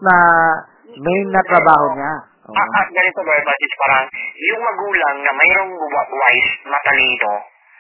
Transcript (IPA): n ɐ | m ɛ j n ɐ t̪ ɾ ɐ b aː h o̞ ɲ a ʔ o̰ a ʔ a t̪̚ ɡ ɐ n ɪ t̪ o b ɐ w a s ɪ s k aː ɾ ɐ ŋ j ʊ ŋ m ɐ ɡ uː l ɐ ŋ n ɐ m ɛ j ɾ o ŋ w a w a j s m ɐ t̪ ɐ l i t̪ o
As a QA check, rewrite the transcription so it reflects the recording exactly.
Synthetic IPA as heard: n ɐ | m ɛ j n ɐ t̪ ɾ ɐ b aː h o̞ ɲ a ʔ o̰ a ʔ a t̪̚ ɡ ɐ n ɪ t̪ o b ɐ b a s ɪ s p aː ɾ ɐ ŋ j ʊ ŋ m ɐ ɡ uː l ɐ ŋ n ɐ m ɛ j ɾ o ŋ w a w a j s m ɐ t̪ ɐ l i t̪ o